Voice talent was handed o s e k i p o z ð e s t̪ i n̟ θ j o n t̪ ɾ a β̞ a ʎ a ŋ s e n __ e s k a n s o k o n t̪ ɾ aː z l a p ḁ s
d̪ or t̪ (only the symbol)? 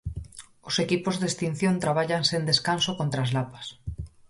d̪